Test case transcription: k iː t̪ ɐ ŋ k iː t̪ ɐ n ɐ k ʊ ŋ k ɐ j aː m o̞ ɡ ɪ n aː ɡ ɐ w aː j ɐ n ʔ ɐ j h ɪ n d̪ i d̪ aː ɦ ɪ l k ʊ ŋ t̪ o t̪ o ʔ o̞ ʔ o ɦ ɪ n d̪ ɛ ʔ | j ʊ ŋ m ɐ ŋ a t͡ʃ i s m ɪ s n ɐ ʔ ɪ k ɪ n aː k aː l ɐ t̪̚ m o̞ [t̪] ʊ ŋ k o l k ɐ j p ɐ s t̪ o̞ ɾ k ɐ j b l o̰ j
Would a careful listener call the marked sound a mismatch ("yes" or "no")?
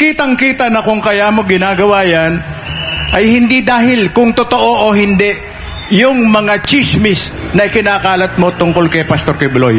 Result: no